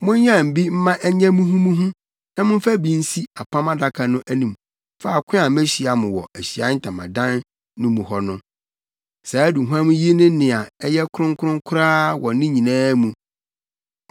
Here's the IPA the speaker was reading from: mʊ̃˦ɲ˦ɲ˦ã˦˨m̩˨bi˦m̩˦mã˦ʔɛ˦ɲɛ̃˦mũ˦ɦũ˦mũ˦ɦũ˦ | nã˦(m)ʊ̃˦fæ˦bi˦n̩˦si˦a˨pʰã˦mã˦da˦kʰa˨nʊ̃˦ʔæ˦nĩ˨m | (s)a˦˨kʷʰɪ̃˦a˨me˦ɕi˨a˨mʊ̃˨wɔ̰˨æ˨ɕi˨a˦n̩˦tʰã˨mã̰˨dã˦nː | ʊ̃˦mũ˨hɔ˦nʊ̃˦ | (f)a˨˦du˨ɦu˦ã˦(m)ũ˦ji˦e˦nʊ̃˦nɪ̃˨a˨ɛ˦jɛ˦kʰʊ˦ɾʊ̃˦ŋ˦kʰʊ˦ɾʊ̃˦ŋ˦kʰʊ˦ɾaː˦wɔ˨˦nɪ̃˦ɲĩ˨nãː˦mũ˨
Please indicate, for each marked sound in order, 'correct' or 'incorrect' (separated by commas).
correct, incorrect, incorrect, correct